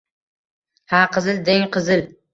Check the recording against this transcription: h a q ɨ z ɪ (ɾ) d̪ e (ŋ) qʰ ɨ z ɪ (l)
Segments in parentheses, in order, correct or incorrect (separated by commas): incorrect, correct, correct